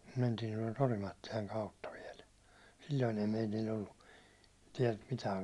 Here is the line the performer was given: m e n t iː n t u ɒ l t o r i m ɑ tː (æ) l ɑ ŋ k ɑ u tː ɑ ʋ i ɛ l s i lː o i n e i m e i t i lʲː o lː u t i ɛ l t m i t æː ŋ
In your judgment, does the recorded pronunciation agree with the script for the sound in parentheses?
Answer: no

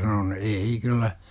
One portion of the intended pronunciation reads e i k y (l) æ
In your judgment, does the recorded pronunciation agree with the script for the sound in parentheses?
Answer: no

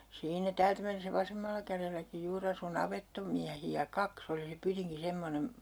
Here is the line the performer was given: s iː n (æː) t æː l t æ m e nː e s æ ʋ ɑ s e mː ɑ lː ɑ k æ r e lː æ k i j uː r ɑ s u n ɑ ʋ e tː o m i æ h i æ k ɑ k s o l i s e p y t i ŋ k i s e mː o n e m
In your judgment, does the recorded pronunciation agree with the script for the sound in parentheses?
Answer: no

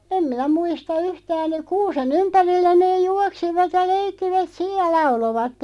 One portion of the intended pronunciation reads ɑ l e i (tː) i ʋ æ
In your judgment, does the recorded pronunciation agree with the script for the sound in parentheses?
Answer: no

